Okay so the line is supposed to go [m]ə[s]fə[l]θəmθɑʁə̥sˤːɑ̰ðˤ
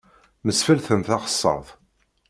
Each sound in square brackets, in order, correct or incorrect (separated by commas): correct, correct, correct